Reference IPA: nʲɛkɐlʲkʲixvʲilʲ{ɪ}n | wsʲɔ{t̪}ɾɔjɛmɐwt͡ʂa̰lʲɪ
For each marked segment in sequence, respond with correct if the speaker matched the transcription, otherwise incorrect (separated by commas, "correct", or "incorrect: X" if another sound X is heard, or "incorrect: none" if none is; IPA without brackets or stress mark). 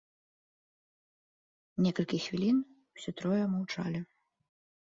incorrect: i, correct